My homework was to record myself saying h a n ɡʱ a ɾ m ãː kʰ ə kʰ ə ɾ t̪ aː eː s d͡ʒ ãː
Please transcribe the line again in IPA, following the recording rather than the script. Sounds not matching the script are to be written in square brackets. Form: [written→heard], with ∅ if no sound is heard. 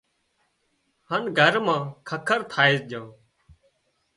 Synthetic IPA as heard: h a n ɡʱ [a→ə] ɾ m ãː kʰ ə kʰ ə ɾ [t̪→t̪ʰ] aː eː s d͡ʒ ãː

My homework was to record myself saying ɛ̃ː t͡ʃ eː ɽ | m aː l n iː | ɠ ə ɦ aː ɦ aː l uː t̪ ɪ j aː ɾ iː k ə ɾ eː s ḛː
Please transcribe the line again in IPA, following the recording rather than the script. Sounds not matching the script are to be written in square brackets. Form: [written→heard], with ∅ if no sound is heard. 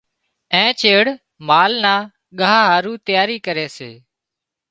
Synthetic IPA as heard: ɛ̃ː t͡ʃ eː ɽ | m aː l n [iː→aː] | ɠ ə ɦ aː ɦ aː [l→ɾ] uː t̪ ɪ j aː ɾ iː k ə ɾ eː s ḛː

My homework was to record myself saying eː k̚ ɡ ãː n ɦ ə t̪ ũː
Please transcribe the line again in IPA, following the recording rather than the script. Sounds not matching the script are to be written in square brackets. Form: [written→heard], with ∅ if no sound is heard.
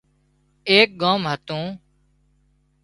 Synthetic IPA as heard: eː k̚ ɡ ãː [n→m] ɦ ə t̪ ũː

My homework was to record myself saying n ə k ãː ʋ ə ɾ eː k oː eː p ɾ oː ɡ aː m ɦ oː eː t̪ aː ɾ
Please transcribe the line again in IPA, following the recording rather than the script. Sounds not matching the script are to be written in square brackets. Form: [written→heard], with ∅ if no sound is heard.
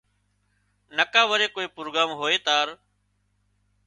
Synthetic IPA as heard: n ə k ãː ʋ ə ɾ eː k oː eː p ɾ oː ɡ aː m ɦ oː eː t̪ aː ɾ

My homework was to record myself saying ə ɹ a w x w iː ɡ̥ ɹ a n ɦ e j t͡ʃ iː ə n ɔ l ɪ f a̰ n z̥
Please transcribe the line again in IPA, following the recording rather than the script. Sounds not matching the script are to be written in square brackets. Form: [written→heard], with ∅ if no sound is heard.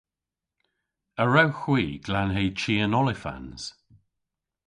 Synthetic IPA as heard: ə ɹ a w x w iː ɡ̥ [ɹ→l] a n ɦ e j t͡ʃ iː ə n ɔ l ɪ f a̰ n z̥

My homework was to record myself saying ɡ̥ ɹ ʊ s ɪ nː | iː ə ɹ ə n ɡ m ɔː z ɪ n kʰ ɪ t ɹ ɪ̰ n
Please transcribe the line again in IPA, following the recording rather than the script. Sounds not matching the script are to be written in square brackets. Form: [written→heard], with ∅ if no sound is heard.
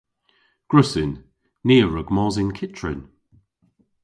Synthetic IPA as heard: ɡ̥ ɹ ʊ s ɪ nː | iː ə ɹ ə [n→∅] ɡ m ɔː z ɪ n kʰ ɪ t ɹ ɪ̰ n

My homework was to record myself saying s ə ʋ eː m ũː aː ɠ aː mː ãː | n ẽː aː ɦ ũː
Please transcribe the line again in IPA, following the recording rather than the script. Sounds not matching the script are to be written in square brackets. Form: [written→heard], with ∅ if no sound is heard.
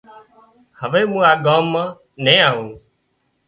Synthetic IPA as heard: [s→h] ə ʋ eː m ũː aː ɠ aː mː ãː | n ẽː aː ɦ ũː

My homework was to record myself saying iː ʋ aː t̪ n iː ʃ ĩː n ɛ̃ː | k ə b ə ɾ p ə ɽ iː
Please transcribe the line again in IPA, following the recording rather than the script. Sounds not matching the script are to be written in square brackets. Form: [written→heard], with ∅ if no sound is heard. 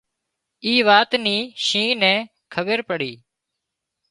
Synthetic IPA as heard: iː ʋ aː t̪ n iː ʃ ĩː n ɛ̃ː | [k→kʰ] ə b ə ɾ p ə ɽ iː

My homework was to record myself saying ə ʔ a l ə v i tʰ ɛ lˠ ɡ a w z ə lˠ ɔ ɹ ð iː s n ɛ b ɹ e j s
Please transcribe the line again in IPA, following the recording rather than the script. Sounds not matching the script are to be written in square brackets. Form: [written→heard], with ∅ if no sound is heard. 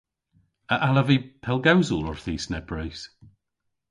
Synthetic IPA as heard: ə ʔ a l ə v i [tʰ→pʰ] ɛ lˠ ɡ a w z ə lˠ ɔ ɹ [ð→θ] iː s n ɛ b ɹ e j s

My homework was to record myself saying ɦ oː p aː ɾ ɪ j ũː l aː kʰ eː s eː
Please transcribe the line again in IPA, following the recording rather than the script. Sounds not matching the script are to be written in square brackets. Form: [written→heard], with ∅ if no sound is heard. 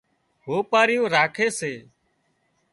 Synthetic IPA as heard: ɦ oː p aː ɾ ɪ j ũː [l→ɾ] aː kʰ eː s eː

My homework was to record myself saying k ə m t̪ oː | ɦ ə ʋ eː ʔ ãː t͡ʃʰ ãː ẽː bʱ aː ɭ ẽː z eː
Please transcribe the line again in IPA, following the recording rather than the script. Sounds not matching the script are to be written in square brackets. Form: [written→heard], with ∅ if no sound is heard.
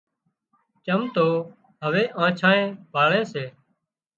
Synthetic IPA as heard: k ə m t̪ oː | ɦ ə ʋ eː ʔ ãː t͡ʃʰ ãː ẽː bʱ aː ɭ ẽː [z→s] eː

